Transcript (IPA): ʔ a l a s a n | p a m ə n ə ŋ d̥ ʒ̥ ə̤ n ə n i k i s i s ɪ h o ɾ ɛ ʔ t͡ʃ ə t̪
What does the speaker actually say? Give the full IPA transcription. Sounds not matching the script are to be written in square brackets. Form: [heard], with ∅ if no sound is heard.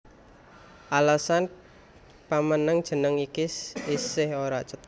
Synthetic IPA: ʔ a l a s a n | p a m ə n ə ŋ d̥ ʒ̥ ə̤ n ə [ŋ] i k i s i s ɪ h o ɾ [a] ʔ t͡ʃ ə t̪